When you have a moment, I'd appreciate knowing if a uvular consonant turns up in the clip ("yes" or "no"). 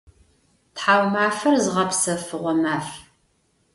yes